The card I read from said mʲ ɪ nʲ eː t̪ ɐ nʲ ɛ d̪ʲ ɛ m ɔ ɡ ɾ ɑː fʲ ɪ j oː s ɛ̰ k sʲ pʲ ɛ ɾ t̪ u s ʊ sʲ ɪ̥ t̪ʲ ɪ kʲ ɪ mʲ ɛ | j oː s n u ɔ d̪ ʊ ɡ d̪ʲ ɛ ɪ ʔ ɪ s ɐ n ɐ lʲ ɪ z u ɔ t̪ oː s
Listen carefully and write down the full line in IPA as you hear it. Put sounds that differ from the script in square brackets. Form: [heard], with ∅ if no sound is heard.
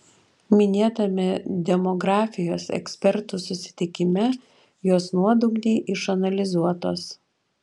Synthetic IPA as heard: mʲ ɪ nʲ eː t̪ ɐ [mʲ] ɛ d̪ʲ ɛ m ɔ ɡ ɾ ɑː fʲ ɪ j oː s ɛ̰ k sʲ pʲ ɛ ɾ t̪ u s ʊ sʲ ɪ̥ t̪ʲ ɪ kʲ ɪ mʲ ɛ | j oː s n u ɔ d̪ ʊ ɡ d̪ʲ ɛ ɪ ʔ ɪ [ʃ] ɐ n ɐ lʲ ɪ z u ɔ t̪ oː s